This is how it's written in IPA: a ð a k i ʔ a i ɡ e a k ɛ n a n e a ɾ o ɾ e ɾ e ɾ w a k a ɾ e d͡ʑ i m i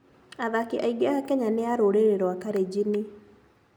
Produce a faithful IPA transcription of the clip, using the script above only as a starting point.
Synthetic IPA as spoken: a ð a k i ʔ a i ɡ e a k ɛ ɲ a n e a ɾ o ɾ e ɾ e ɾ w a k a ɾ e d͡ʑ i n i